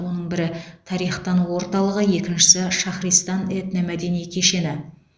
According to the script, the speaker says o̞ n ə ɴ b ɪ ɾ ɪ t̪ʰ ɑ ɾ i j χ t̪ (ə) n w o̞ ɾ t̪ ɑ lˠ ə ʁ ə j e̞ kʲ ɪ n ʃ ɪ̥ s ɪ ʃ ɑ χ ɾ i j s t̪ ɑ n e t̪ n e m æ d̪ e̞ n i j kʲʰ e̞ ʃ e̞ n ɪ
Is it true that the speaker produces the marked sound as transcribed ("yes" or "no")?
no